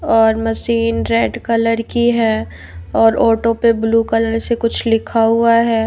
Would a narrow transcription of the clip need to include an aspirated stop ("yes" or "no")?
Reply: yes